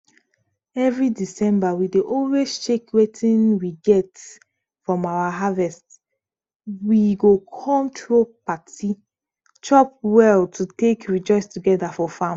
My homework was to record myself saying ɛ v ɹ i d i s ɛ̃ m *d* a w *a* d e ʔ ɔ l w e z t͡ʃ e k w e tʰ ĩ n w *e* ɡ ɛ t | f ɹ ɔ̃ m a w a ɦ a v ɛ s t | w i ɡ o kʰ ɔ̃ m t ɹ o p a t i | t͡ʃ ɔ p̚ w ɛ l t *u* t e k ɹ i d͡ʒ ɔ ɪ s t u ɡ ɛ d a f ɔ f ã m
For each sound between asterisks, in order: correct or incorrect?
incorrect, incorrect, incorrect, correct

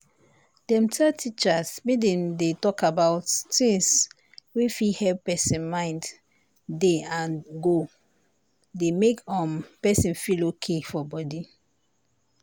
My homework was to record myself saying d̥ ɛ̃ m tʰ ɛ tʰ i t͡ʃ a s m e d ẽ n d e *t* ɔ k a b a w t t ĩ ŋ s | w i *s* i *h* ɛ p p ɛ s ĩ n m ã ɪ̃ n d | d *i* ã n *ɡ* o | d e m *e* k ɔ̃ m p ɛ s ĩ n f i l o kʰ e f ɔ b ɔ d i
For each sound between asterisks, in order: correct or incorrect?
correct, incorrect, correct, incorrect, correct, correct

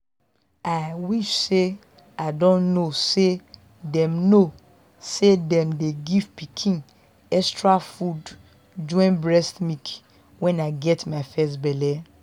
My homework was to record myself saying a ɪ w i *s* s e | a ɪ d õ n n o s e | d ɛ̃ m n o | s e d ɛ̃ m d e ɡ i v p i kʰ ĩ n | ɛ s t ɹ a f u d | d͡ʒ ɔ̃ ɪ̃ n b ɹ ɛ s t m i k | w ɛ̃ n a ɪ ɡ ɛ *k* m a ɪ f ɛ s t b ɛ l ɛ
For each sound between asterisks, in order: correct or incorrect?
incorrect, incorrect

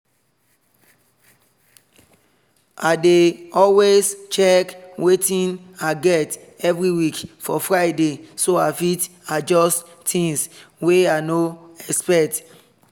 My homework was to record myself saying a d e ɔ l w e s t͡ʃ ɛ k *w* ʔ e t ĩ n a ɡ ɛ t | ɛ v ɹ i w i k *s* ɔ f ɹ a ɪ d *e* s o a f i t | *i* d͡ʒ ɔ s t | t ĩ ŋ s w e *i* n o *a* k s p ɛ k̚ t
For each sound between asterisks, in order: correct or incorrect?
correct, incorrect, correct, incorrect, incorrect, incorrect

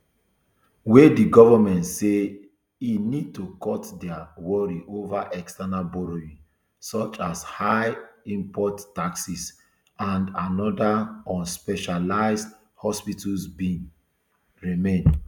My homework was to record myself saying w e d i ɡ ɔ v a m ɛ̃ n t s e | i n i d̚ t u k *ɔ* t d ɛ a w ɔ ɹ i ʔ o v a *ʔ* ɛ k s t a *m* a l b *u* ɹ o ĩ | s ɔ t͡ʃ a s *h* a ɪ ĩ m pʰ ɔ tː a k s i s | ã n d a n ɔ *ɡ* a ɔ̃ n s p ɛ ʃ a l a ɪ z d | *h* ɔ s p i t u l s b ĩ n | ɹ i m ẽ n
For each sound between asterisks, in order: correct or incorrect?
correct, correct, incorrect, incorrect, correct, incorrect, correct

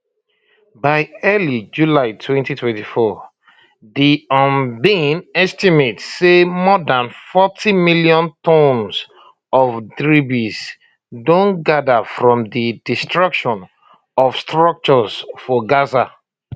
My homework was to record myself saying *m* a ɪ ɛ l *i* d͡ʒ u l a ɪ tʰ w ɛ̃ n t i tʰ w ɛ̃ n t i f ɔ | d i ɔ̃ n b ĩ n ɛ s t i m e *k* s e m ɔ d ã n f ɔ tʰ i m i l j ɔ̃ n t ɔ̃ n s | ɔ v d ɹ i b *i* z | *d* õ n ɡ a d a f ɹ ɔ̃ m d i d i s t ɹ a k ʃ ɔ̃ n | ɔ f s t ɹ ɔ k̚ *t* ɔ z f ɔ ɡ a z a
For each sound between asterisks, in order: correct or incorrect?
incorrect, correct, incorrect, correct, correct, incorrect

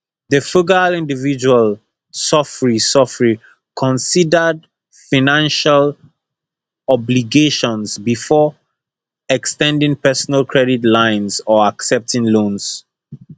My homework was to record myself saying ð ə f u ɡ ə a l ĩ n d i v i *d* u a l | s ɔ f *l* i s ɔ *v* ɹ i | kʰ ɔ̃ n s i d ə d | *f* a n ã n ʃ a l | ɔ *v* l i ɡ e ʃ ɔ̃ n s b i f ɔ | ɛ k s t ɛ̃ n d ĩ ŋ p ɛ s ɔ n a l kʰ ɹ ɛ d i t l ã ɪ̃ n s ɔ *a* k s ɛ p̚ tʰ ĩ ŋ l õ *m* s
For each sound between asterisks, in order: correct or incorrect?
incorrect, incorrect, incorrect, correct, incorrect, correct, incorrect

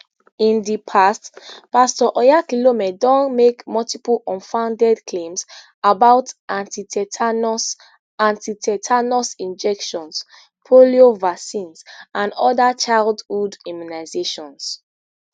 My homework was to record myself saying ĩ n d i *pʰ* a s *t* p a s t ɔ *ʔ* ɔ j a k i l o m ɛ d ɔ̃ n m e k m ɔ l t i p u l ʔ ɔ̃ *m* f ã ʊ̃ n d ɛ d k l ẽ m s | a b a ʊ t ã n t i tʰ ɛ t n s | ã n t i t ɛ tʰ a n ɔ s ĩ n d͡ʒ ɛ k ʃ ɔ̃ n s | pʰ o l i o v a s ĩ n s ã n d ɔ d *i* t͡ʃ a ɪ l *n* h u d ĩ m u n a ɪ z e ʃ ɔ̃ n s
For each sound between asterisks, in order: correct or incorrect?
correct, correct, correct, incorrect, incorrect, incorrect

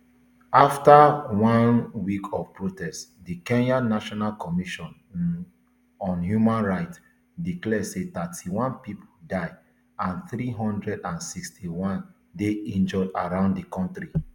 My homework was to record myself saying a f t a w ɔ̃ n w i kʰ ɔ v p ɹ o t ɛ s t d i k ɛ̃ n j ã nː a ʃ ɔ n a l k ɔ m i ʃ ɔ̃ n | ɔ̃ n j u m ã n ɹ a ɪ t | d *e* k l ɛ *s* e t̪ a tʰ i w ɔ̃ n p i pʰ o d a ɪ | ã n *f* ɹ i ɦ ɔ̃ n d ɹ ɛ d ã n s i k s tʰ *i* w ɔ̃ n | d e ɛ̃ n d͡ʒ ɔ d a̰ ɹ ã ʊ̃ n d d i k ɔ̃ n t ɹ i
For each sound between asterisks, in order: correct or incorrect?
incorrect, correct, incorrect, correct

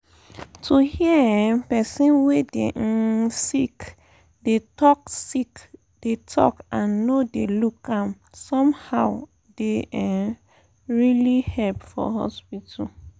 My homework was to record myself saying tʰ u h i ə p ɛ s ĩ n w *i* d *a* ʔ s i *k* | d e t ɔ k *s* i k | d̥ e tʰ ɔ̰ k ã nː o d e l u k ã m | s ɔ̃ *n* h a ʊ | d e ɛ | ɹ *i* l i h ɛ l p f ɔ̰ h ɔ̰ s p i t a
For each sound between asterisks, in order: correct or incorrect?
incorrect, incorrect, correct, correct, incorrect, correct

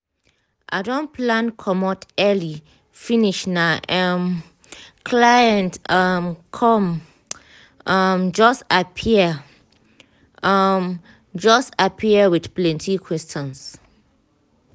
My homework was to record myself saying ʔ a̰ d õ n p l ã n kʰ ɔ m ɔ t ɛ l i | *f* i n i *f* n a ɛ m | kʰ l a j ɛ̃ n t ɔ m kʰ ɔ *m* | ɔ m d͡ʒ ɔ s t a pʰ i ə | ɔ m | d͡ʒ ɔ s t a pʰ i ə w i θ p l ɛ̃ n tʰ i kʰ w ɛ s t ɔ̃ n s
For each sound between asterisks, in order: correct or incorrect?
correct, incorrect, correct

